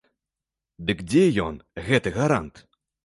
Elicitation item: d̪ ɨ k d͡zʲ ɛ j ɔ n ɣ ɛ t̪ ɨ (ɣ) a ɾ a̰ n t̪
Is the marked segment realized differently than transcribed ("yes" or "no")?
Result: no